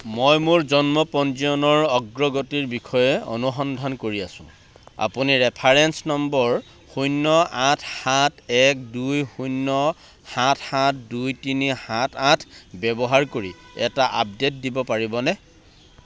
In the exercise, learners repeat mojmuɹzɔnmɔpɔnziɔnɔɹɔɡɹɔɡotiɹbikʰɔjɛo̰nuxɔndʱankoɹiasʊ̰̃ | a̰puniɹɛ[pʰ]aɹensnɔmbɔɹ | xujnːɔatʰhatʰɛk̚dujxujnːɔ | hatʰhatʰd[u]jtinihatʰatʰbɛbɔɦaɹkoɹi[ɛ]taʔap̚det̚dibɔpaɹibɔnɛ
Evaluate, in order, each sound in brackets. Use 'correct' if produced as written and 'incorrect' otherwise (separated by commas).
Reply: correct, correct, correct